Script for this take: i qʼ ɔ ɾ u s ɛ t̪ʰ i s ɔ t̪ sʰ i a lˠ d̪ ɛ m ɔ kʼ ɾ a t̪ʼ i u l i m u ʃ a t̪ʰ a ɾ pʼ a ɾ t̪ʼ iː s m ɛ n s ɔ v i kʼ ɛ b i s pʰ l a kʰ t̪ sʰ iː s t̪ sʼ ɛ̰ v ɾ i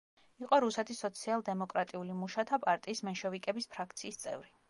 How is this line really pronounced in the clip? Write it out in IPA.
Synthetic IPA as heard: i qʼ ɔ ɾ u s ɛ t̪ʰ i s ɔ t̪ sʰ i a lˠ d̪ ɛ m ɔ kʼ ɾ a t̪ʼ i u l i m u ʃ a t̪ʰ a pʼ a ɾ t̪ʼ iː s m ɛ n ʃ ɔ v i kʼ ɛ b i s pʰ ɾ a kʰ t̪ sʰ iː s t̪ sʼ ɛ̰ v ɾ i

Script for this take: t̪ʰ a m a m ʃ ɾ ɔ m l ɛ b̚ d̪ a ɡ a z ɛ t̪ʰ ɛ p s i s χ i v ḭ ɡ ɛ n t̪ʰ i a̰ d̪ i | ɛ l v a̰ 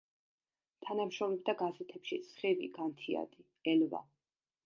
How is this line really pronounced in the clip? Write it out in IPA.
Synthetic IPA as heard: t̪ʰ a n a m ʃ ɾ ɔ m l ɛ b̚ d̪ a ɡ a z ɛ t̪ʰ ɛ p ʃ i s χ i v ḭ ɡ a n t̪ʰ i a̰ d̪ i | ɛ l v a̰

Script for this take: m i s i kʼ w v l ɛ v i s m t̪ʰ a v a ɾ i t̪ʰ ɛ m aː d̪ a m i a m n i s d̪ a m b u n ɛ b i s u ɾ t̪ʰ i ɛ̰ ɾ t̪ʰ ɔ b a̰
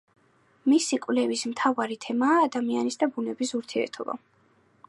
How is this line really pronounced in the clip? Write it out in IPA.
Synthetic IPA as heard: m i s i kʼ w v l ɛ v i s m t̪ʰ a v a ɾ i t̪ʰ ɛ m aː d̪ a m i a n i s d̪ a b u n ɛ b i s u ɾ t̪ʰ i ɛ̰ ɾ t̪ʰ ɔ b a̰

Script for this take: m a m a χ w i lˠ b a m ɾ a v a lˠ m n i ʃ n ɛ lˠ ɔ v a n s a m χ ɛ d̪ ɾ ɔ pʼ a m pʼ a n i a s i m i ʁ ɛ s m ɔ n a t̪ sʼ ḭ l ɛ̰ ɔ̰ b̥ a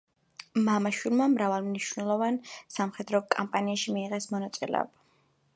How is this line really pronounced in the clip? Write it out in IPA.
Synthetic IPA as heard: m a m a ʃ w i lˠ m a m ɾ a v a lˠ m n i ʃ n ɛ lˠ ɔ v a n s a m χ ɛ d̪ ɾ ɔ kʼ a m pʼ a n i a ʃ i m iː ʁ ɛ s m ɔ n a t̪ sʼ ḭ l ɛ̰ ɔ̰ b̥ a

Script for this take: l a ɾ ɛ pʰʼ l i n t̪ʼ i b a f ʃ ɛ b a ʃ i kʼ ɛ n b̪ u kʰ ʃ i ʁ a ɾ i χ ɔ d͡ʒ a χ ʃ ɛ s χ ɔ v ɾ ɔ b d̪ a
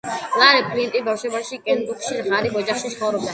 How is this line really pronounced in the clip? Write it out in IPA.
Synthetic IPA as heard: l a ɾ ɛ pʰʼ l i n t̪ʼ i b a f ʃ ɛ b a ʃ i kʼ ɛ n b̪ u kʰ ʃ i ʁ a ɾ i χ ɔ d͡ʒ a χ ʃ i s χ ɔ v ɾ ɔ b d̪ a

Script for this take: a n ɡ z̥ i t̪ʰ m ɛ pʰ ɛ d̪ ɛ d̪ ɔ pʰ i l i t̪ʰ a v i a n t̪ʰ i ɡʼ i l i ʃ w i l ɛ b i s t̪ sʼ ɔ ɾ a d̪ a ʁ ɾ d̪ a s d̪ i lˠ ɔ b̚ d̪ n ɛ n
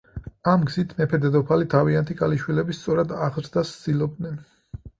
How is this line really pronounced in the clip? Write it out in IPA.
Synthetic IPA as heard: a m ɡ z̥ i t̪ʰ m ɛ pʰ ɛ d̪ ɛ d̪ ɔ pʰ a l i t̪ʰ a v i a n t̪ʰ i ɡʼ a l i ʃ w i l ɛ b i s t̪ sʼ ɔ ɾ a d̪ a ʁ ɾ d̪ a s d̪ i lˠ ɔ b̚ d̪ n ɛ n

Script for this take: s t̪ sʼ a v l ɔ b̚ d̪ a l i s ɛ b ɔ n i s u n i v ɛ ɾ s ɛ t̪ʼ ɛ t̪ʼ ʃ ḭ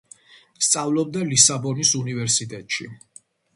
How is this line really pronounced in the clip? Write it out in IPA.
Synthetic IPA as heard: s t̪ sʼ a v l ɔ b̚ d̪ a l i s a b ɔ n i s u n i v ɛ ɾ s i t̪ʼ ɛ t̪ʼ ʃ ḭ

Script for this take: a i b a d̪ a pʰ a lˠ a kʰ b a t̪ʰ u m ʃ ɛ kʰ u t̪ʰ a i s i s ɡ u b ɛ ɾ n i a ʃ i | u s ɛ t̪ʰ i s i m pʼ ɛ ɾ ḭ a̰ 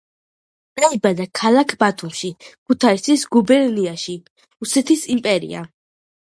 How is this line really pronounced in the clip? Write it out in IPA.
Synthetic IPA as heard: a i b a d̪ a kʰ a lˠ a kʰ b a t̪ʰ u m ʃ i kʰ u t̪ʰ a i s i s ɡ u b ɛ ɾ n i a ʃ i | u s ɛ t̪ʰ i s i m pʼ ɛ ɾ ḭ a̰

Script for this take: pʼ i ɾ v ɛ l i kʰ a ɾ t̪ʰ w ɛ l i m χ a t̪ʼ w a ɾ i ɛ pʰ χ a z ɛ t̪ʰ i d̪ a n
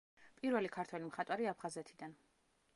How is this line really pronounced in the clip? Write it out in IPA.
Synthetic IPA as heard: pʼ i ɾ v ɛ l i kʰ a ɾ t̪ʰ w ɛ l i m χ a t̪ʼ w a ɾ i a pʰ χ a z ɛ t̪ʰ i d̪ a n

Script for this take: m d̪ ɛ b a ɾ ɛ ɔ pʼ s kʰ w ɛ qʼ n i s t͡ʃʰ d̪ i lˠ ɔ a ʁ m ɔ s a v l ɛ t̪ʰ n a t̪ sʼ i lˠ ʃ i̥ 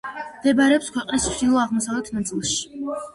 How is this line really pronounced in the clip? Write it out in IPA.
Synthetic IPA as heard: m d̪ ɛ b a ɾ ɛ ɔ p s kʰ w ɛ qʼ n i s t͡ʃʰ d̪ i lˠ ɔ a ʁ m ɔ s a v l ɛ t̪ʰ n a t̪ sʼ i lˠ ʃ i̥

